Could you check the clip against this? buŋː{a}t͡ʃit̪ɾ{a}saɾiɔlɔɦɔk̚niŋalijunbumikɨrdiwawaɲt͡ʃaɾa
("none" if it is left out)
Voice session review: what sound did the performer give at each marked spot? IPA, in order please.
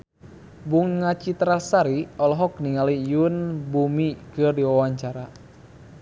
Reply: a, a

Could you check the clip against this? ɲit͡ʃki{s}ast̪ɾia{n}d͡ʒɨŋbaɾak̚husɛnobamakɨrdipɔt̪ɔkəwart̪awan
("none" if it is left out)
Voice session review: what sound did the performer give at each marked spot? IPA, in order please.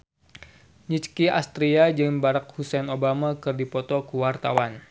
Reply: none, none

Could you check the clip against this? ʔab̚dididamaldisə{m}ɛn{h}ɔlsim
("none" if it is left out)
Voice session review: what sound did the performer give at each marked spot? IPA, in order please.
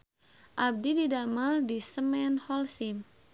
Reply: m, h

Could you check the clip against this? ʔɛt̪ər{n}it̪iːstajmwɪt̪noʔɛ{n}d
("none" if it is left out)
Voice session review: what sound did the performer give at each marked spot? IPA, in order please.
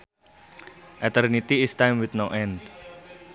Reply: n, n

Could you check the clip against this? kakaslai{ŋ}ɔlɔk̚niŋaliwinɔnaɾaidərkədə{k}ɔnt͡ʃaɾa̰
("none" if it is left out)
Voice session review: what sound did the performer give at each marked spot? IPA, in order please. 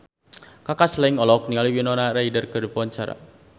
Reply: ŋ, p

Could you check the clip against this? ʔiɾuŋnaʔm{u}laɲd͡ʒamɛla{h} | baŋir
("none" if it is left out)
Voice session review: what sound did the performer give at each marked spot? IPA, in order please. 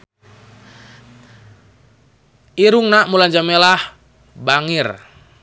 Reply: u, h

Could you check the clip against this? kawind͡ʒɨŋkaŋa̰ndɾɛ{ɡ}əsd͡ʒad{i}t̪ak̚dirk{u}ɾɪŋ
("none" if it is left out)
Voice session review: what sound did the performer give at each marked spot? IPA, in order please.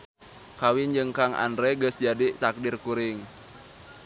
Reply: ɡ, i, u

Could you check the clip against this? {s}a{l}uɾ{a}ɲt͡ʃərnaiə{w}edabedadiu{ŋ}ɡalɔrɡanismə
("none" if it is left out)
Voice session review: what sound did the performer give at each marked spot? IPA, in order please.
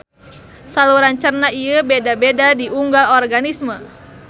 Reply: s, l, a, b, ŋ

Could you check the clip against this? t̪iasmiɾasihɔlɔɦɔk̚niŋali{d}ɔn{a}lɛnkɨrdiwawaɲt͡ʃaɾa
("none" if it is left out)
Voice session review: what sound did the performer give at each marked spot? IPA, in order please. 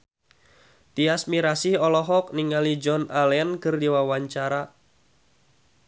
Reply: d͡ʒ, a

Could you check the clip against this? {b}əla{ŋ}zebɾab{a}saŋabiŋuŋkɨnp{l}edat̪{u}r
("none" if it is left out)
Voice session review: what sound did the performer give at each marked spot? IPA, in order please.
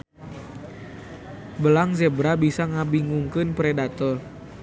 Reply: b, ŋ, i, ɾ, ɔ

